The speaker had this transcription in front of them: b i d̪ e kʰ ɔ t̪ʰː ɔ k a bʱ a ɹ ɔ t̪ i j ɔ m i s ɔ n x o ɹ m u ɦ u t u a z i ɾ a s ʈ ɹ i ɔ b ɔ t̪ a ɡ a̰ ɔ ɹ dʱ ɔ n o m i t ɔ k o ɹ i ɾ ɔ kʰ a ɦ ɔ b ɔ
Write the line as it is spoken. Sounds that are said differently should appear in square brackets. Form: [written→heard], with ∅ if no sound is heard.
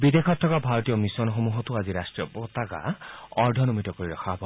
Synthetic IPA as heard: b i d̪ e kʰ ɔ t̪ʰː ɔ k a bʱ a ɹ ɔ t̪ i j ɔ m i s ɔ n x o [ɹ→∅] m u ɦ [u→ɔ] t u a z i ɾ a s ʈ ɹ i ɔ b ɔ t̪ a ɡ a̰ ɔ ɹ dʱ ɔ n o m i t ɔ k o ɹ i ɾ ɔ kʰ a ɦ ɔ b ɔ